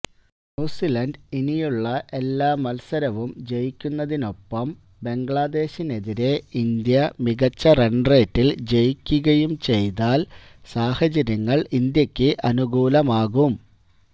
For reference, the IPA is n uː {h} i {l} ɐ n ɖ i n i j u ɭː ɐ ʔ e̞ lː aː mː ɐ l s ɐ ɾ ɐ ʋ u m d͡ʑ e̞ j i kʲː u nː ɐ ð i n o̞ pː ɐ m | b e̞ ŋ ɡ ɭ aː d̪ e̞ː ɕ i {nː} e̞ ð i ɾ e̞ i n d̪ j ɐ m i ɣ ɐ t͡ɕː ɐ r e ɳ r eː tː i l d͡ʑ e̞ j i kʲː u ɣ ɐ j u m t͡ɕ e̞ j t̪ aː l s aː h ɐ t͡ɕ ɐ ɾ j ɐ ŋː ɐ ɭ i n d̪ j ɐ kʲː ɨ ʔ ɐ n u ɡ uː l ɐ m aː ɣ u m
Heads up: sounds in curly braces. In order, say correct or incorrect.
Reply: incorrect, correct, incorrect

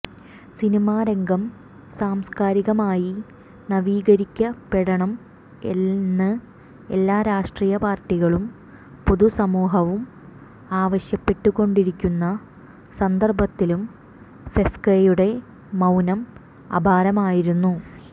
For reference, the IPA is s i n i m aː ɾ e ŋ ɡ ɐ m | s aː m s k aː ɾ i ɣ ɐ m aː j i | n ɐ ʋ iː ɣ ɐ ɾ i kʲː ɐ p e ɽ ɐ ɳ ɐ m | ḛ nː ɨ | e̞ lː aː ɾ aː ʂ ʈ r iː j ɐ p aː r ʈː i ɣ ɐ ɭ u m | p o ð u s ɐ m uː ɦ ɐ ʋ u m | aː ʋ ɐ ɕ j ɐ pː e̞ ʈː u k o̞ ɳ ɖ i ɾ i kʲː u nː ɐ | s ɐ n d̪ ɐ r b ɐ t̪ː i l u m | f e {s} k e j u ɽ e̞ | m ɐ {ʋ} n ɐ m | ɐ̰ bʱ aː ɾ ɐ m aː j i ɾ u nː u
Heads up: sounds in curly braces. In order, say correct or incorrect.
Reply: incorrect, incorrect

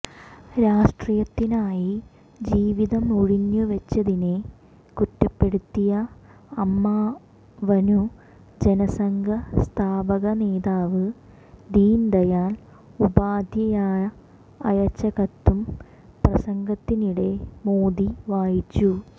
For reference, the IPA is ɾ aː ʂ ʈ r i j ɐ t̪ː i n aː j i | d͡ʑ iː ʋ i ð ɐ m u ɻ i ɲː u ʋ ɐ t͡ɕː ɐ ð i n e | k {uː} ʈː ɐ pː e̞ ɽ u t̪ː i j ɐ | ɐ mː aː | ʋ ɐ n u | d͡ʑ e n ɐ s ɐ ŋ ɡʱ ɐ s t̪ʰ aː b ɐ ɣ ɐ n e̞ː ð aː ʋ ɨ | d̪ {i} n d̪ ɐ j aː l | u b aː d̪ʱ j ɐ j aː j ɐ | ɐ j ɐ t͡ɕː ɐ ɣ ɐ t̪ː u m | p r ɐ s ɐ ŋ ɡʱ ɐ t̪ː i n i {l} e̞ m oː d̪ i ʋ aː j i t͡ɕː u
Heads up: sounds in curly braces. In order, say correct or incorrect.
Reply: incorrect, incorrect, incorrect

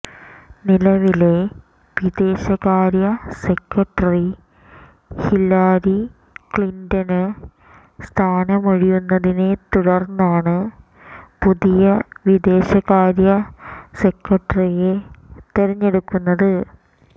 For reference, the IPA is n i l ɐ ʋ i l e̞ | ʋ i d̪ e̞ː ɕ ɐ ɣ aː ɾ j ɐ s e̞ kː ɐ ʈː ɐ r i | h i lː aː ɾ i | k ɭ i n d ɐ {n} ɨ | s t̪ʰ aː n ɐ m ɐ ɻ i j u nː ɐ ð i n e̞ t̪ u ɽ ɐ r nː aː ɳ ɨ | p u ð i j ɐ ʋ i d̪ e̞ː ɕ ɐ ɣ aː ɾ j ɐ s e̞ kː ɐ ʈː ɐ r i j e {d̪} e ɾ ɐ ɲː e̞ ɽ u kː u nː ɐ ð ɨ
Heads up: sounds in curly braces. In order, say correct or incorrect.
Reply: correct, incorrect

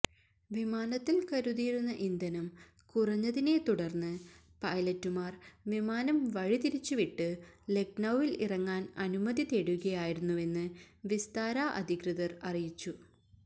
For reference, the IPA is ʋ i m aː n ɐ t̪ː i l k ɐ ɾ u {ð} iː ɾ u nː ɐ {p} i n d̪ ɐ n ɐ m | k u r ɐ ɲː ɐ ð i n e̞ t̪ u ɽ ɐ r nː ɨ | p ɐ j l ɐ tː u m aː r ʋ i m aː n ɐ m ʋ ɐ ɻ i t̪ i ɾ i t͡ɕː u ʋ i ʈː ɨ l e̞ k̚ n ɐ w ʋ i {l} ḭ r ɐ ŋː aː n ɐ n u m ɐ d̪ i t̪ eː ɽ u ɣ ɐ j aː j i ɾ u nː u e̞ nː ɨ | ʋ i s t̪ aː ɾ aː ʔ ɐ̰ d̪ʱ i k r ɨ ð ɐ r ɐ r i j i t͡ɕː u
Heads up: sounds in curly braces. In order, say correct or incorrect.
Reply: correct, incorrect, correct

